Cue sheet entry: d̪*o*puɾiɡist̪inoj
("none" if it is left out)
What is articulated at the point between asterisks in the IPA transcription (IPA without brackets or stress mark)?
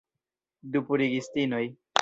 u